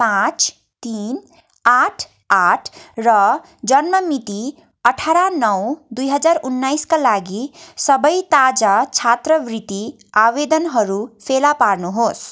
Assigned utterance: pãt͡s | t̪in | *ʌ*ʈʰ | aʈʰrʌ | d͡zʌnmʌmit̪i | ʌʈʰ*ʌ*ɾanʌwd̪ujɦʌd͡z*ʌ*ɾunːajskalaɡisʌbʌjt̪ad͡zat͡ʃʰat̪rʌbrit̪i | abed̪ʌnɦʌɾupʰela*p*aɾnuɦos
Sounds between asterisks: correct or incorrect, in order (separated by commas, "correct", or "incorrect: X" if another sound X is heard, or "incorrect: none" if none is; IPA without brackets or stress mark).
incorrect: a, incorrect: a, incorrect: a, correct